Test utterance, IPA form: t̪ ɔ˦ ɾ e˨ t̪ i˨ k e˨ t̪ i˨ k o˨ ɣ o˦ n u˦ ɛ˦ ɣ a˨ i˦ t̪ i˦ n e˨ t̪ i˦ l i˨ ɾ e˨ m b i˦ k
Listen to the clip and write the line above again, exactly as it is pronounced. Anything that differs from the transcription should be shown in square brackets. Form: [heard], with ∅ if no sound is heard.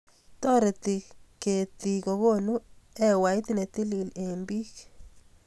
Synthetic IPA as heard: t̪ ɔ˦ ɾ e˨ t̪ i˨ k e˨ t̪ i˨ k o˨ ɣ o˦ n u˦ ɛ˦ [w] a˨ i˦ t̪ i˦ n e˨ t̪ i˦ l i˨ [l] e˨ m b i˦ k